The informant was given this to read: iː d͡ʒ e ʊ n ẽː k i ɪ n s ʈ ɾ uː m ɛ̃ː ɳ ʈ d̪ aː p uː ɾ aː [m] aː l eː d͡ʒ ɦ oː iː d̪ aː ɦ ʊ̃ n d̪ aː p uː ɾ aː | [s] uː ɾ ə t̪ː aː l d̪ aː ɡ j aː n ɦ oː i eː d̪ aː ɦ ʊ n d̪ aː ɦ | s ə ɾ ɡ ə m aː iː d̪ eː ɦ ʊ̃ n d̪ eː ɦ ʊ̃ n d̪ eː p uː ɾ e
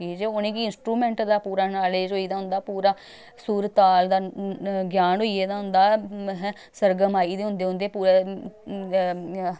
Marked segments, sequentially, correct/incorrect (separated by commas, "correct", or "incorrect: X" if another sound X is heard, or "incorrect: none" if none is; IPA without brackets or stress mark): incorrect: n, correct